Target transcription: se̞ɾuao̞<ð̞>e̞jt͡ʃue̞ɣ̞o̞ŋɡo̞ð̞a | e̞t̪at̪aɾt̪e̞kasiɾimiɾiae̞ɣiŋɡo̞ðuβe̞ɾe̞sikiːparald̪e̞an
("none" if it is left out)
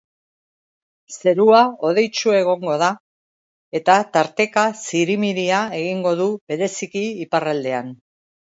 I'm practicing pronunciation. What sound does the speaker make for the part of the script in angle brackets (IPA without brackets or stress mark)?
ð̞